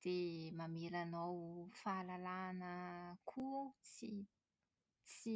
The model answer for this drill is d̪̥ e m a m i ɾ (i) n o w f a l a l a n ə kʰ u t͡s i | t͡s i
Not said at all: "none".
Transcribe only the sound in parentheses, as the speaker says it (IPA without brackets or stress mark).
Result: a